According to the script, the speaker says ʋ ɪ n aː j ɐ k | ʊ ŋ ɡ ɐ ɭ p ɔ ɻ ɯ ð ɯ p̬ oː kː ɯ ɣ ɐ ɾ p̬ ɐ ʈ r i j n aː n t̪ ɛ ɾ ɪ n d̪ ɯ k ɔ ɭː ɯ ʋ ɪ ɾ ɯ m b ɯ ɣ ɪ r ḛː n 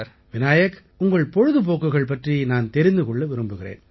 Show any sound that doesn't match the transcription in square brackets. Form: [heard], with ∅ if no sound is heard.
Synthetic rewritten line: ʋ ɪ n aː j ɐ k | ʊ ŋ ɡ ɐ ɭ p ɔ ɻ ɯ ð ɯ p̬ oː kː ɯ ɣ ɐ [ɭ] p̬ ɐ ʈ r i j n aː n t̪ ɛ ɾ ɪ n d̪ ɯ k ɔ ɭː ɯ ʋ ɪ ɾ ɯ m b ɯ ɣ ɪ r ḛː n